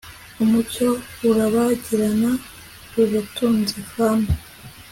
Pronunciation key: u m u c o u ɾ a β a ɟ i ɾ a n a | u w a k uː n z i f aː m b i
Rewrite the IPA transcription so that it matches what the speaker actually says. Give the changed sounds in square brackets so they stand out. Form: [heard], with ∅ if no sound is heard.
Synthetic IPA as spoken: u m u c o u ɾ a β a ɟ i ɾ a n a | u [β] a [t] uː n z i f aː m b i